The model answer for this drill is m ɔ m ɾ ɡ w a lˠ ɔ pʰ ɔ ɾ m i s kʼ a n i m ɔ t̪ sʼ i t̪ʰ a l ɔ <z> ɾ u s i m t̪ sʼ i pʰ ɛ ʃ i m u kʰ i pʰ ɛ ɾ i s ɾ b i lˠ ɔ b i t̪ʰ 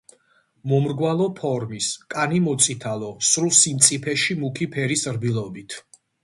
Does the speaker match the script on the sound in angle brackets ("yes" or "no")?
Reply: no